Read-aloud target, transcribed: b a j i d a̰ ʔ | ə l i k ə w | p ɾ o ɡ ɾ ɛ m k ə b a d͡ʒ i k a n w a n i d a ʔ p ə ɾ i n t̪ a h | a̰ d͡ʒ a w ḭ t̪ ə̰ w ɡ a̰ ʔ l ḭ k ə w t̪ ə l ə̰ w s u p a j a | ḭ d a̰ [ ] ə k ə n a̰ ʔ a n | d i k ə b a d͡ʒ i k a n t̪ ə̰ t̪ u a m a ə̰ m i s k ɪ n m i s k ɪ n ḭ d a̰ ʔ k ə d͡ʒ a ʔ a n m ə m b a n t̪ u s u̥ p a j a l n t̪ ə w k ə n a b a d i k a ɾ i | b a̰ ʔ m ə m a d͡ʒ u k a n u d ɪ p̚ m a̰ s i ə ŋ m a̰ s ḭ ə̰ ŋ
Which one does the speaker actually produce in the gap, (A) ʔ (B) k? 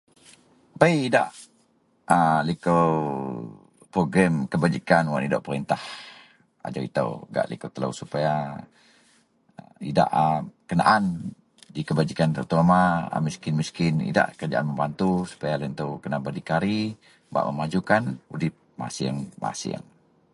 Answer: A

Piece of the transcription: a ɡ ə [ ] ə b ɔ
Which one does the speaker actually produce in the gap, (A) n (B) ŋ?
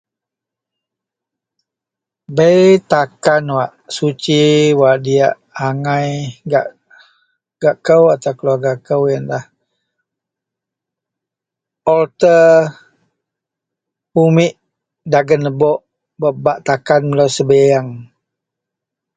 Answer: A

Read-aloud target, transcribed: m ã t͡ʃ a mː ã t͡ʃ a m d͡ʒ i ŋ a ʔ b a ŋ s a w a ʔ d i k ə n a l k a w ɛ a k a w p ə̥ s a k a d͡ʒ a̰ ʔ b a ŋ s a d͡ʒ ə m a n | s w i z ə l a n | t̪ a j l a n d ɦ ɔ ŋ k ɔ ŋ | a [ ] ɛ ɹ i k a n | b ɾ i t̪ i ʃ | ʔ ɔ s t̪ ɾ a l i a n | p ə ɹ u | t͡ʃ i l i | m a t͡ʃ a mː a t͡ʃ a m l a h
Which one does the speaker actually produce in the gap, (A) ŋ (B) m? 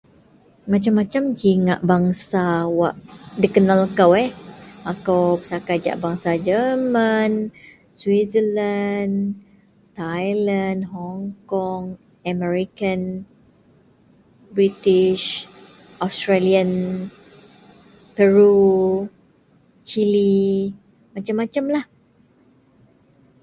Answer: B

